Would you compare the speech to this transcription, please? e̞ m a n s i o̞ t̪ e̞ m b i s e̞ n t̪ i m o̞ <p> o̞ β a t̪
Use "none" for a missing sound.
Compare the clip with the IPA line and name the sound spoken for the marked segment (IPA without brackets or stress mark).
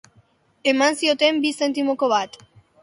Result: k